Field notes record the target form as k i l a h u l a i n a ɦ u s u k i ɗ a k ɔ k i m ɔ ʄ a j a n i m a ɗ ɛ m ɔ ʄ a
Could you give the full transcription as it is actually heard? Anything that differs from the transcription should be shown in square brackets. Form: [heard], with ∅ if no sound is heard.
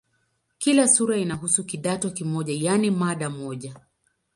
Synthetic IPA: k i l a [s] u [ɾ] a i n a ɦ u s u k i ɗ a [t] ɔ k i m ɔ ʄ a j a n i m a ɗ [a] m ɔ ʄ a